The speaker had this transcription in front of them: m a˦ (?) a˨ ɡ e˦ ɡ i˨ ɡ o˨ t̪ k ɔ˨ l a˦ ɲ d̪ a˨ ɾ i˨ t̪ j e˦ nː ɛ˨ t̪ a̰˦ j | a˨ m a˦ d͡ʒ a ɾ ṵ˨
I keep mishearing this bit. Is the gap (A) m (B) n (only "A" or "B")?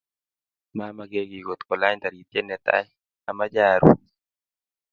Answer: A